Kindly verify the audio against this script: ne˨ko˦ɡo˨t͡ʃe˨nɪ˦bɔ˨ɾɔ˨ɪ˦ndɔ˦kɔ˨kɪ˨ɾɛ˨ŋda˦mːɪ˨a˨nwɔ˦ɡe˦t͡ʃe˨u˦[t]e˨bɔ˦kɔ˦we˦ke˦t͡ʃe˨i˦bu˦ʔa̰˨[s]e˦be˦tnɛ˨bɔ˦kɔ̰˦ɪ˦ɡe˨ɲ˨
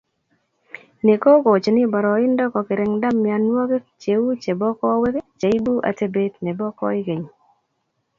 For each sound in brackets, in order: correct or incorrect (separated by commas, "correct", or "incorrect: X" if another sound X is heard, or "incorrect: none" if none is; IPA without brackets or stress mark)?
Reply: incorrect: t͡ʃ, incorrect: t